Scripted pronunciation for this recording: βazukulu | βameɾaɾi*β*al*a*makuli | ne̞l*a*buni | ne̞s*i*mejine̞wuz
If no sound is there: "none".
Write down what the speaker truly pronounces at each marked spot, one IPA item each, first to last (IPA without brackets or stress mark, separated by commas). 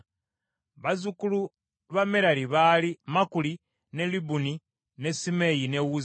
β, i, i, i